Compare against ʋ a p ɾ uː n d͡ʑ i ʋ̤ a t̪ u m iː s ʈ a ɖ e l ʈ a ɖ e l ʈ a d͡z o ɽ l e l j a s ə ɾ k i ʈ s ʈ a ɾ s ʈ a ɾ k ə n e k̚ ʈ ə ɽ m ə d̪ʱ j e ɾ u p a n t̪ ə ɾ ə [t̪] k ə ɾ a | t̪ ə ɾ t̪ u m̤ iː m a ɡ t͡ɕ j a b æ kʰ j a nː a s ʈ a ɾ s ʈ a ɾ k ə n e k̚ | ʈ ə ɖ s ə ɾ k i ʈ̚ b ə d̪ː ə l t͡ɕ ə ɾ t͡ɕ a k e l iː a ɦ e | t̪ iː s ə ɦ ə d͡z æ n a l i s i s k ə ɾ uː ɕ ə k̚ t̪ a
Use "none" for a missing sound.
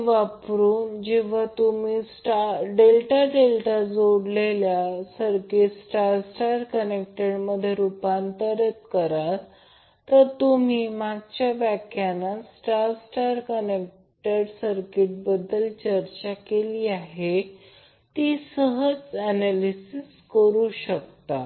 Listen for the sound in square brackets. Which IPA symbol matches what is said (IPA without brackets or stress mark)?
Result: t̪